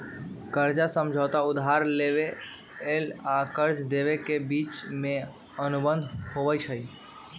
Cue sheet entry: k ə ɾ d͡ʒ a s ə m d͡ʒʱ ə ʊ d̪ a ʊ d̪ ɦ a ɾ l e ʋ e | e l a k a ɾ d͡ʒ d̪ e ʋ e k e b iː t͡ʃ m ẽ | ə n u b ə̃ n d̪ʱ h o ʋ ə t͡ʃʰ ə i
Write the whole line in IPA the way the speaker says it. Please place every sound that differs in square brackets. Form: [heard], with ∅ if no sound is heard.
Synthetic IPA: k ə ɾ d͡ʒ a s ə m d͡ʒʱ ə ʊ [t̪] a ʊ d̪ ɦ a ɾ l e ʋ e | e l a k [ə] ɾ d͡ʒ d̪ e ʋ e k e b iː t͡ʃ m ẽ | ə n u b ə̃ n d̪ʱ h o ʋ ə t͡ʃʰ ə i